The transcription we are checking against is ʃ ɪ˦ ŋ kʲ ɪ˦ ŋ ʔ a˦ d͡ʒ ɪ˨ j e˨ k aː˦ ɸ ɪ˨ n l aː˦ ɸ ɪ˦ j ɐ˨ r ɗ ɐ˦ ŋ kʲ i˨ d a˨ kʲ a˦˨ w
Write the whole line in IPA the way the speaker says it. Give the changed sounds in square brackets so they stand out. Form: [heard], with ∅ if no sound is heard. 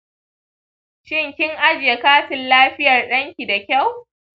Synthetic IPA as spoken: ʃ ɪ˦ ŋ kʲ ɪ˦ ŋ ʔ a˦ d͡ʒ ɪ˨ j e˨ k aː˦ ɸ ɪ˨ n l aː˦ ɸ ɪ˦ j ɐ˨ r ɗ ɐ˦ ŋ kʲ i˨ d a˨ kʲ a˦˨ w